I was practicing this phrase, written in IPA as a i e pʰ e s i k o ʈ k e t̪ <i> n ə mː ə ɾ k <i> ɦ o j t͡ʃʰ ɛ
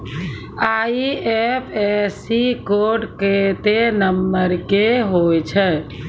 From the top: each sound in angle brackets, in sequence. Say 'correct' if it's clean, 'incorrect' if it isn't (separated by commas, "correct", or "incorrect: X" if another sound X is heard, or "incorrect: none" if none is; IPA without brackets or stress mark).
incorrect: e, incorrect: e